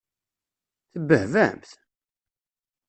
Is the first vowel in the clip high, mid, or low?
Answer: mid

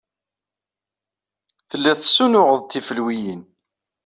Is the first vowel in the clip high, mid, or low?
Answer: mid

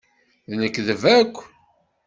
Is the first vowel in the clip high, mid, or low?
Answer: mid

